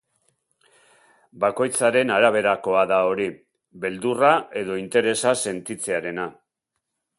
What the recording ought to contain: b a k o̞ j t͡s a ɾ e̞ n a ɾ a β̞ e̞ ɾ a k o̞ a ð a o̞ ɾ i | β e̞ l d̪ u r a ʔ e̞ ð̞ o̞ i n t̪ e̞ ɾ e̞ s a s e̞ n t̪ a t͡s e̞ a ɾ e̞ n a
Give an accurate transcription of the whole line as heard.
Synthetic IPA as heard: b a k o̞ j t͡s a ɾ e̞ n a ɾ a β̞ e̞ ɾ a k o̞ a ð a o̞ ɾ i | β e̞ l d̪ u r a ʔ e̞ ð̞ o̞ i n t̪ e̞ ɾ e̞ s a s e̞ n t̪ i t͡s e̞ a ɾ e̞ n a

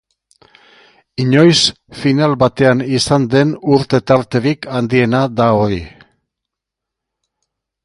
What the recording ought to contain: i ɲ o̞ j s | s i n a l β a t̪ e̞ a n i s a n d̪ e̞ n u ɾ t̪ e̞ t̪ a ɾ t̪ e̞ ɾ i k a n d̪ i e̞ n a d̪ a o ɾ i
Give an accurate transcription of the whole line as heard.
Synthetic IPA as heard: i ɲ o̞ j s | f i n a l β a t̪ e̞ a n i s a n d̪ e̞ n u ɾ t̪ e̞ t̪ a ɾ t̪ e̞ ɾ i k a n d̪ i e̞ n a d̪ a o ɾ i

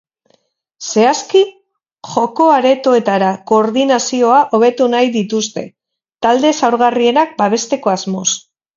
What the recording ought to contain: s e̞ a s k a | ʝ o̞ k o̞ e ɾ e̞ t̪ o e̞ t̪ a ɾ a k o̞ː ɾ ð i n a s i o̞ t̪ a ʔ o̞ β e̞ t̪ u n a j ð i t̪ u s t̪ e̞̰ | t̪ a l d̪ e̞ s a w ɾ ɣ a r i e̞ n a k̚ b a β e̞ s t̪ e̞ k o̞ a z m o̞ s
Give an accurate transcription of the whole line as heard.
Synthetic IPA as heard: s e̞ a s k i | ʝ o̞ k o̞ a ɾ e̞ t̪ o e̞ t̪ a ɾ a k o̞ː ɾ ð i n a s i o̞ a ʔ o̞ β e̞ t̪ u n a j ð i t̪ u s t̪ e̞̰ | t̪ a l d̪ e̞ s a w ɾ ɣ a r i e̞ n a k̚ b a β e̞ s t̪ e̞ k o̞ a z m o̞ s

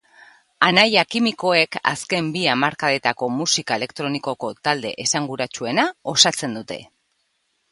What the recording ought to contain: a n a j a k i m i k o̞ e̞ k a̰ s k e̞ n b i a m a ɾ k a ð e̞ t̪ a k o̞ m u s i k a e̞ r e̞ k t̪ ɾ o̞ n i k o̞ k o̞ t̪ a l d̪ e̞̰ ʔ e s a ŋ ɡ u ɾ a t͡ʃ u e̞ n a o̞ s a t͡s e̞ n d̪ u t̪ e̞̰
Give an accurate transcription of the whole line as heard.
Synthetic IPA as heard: a n a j a k i m i k o̞ e̞ k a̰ s k e̞ m b i a m a ɾ k a ð e̞ t̪ a k o̞ m u s i k a e̞ l e̞ k t̪ ɾ o̞ n i k o̞ k o̞ t̪ a l d̪ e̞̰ ʔ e s a ŋ ɡ u ɾ a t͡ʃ u e̞ n a o̞ s a t͡s e̞ n d̪ u t̪ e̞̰

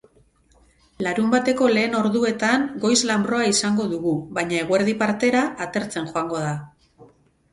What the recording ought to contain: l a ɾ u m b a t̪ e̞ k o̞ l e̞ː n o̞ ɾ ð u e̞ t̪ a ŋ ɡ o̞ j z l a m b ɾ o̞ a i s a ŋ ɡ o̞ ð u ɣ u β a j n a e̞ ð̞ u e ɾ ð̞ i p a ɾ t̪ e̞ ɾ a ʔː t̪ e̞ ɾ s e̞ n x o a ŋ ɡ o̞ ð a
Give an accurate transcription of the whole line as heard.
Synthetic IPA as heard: l a ɾ u m b a t̪ e̞ k o̞ l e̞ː n o̞ ɾ ð u e̞ t̪ a ŋ ɡ o̞ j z l a m b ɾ o̞ a i s a ŋ ɡ o̞ ð u ɣ u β a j ɲ a e̞ ɣ̞ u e ɾ ð̞ i p a ɾ t̪ e̞ ɾ a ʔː t̪ e̞ ɾ t͡s e̞ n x o a ŋ ɡ o̞ ð a

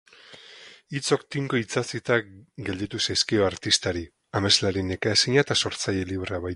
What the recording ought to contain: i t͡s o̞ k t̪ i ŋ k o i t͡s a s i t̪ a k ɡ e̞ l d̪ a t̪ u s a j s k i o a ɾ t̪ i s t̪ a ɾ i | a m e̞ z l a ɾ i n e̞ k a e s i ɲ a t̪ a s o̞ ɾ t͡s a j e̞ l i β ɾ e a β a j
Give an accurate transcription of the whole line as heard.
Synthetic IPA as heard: i t͡s o̞ k t̪ i ŋ k o i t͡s a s i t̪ a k ɡ e̞ l d̪ i t̪ u s a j s k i o a ɾ t̪ i s t̪ a ɾ i | a m e̞ z l a ɾ i n e̞ k a e s i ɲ a t̪ a s o̞ ɾ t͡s a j e̞ l i β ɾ e a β a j

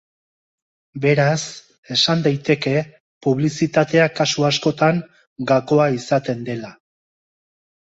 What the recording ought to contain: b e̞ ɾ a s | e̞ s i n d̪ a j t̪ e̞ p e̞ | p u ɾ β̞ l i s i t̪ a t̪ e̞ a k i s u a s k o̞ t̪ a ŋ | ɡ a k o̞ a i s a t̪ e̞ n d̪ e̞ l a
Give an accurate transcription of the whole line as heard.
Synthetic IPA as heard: b e̞ ɾ a s | e̞ s a n d̪ a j t̪ e̞ k e̞ | p u β̞ l i s i t̪ a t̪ e̞ a k a s u a s k o̞ t̪ a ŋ | ɡ a k o̞ a i s a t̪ e̞ n d̪ e̞ l a

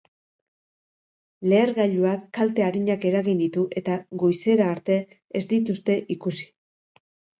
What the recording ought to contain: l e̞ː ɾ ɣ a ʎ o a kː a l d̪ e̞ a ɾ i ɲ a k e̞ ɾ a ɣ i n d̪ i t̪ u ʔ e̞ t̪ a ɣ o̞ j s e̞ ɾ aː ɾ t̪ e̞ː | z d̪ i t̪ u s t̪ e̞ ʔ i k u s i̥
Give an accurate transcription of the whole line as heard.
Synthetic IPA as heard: l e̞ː ɾ ɣ a ʎ u a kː a l t̪ e̞ a ɾ i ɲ a k e̞ ɾ a ɣ i n d̪ i t̪ u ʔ e̞ t̪ a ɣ o̞ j s e̞ ɾ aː ɾ t̪ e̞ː | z d̪ i t̪ u s t̪ e̞ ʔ i k u s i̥

